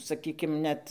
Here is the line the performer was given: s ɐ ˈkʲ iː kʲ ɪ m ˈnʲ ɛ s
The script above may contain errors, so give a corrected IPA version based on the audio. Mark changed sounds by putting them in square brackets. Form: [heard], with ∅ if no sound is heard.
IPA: s ɐ ˈkʲ iː kʲ ɪ m ˈnʲ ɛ [t]